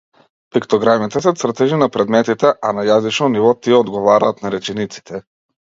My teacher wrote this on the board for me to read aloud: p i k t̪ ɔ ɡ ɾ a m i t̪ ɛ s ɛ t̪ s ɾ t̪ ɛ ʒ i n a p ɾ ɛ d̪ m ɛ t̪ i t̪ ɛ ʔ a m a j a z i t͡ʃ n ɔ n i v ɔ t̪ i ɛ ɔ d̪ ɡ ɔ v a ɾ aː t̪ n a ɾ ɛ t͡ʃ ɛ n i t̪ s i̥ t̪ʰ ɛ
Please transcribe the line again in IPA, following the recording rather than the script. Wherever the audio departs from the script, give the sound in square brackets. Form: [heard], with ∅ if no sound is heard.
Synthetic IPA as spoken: p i k t̪ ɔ ɡ ɾ a m i t̪ ɛ s ɛ t̪ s ɾ t̪ ɛ ʒ i n a p ɾ ɛ d̪ m ɛ t̪ i t̪ ɛ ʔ a [n] a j a z i t͡ʃ n ɔ n i v ɔ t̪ i ɛ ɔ d̪ ɡ ɔ v a ɾ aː t̪ n a ɾ ɛ t͡ʃ ɛ n i t̪ s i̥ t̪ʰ ɛ